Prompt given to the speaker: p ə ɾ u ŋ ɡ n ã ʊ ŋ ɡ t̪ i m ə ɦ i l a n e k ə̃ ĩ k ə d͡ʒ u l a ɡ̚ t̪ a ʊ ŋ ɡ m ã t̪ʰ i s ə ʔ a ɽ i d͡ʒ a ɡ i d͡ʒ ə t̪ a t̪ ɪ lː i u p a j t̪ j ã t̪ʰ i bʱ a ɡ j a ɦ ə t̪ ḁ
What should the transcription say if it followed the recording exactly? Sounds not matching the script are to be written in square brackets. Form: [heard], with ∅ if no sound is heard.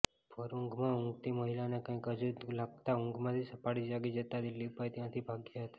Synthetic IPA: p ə ɾ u ŋ ɡ [m] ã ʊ ŋ ɡ t̪ i m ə ɦ i l a n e k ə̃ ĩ k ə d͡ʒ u l a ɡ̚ t̪ a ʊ ŋ ɡ m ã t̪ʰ i s ə [p] a ɽ i d͡ʒ a ɡ i d͡ʒ ə t̪ a [d̪] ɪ lː i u p a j t̪ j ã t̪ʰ i bʱ a ɡ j a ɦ ə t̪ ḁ